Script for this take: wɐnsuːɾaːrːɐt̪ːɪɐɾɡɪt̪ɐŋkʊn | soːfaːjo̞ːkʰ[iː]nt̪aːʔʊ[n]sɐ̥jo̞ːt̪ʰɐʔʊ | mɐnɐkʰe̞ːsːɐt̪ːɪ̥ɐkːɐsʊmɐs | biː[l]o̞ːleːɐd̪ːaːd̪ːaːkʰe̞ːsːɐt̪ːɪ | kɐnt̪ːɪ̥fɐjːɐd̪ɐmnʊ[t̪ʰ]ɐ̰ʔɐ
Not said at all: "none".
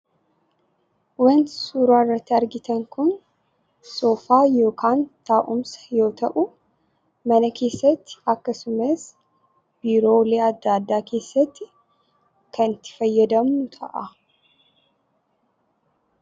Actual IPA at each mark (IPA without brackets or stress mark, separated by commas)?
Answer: aː, m, ɾ, t̪ʰ